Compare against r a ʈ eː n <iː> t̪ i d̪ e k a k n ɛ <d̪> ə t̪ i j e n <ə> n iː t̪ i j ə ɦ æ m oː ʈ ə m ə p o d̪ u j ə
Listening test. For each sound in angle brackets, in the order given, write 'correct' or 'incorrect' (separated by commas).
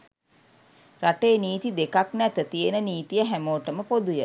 correct, incorrect, correct